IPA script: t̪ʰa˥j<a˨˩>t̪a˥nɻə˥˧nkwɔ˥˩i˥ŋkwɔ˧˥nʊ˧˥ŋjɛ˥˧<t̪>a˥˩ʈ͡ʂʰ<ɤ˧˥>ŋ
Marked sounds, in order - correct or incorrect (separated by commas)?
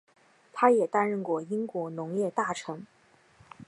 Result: incorrect, correct, correct